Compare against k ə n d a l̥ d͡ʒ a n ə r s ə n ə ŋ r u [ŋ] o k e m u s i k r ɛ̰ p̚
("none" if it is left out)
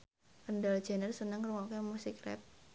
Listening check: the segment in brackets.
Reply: ŋ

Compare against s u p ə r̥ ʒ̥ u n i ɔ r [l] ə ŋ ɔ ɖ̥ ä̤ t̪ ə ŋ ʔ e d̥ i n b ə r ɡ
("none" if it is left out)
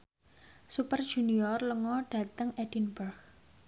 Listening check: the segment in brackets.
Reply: l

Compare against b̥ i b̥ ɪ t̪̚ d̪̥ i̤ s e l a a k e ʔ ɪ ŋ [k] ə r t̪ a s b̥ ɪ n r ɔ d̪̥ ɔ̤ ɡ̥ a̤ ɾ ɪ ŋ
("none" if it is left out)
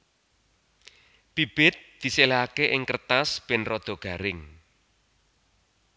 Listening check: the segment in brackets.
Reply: k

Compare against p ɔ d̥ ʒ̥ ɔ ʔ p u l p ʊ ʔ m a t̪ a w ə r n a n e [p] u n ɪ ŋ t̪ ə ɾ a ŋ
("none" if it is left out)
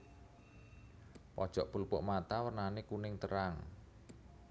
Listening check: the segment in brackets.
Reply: k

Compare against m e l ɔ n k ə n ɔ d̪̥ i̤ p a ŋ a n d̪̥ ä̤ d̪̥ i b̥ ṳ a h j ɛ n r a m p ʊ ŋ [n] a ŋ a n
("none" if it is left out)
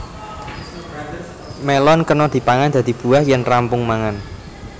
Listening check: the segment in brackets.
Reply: m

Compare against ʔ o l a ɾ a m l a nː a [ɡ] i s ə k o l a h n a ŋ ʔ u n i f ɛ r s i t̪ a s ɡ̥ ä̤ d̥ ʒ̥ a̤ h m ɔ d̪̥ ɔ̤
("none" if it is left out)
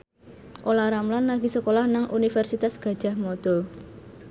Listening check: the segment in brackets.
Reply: ɡ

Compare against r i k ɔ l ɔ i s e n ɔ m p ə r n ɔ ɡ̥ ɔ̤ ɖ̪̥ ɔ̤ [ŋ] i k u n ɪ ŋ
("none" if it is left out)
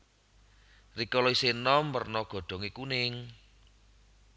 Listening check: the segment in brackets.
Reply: ŋ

